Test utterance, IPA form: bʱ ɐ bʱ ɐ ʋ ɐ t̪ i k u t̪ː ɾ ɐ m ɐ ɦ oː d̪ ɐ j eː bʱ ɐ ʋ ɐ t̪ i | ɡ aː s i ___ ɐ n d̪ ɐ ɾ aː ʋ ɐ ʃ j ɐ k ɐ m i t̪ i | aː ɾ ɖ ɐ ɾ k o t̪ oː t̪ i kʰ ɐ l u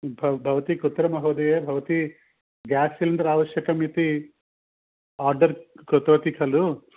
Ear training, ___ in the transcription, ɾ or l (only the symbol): l